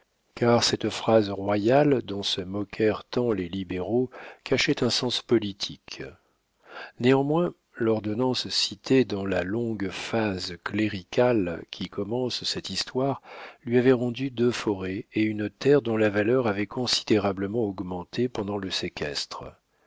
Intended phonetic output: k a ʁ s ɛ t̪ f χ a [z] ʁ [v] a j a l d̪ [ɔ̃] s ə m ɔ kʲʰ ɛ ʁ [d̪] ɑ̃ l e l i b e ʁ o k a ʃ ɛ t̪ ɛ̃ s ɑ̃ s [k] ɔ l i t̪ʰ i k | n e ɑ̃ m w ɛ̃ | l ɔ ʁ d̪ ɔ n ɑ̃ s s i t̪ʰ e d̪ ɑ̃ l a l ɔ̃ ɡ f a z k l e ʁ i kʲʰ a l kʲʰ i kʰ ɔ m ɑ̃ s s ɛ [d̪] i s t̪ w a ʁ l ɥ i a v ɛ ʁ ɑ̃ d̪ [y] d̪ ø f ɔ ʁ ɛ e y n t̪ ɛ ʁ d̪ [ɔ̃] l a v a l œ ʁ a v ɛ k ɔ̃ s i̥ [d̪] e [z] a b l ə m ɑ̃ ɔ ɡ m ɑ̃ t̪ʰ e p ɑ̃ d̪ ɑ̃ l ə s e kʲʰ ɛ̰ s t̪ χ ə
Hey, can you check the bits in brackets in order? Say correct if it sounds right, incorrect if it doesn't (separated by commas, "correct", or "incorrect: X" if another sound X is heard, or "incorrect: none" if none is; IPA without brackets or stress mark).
correct, incorrect: w, correct, incorrect: t̪, incorrect: p, incorrect: t̪, correct, correct, correct, incorrect: ʁ